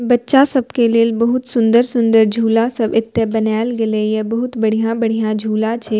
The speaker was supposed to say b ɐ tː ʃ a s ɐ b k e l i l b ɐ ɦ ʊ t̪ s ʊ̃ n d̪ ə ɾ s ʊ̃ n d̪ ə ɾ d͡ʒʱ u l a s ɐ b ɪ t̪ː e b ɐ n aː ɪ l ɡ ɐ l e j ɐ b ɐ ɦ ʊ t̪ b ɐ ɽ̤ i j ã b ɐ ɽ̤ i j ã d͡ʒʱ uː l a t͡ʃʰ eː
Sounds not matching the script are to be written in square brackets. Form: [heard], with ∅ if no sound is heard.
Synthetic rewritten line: b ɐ tː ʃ a s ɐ b k e l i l b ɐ ɦ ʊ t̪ s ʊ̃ n d̪ ə ɾ s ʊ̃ n d̪ ə ɾ d͡ʒʱ [uː] l a s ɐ b ɪ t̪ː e b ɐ n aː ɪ l ɡ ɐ l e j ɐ b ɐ ɦ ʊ t̪ b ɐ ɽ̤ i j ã b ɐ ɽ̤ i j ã d͡ʒʱ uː l a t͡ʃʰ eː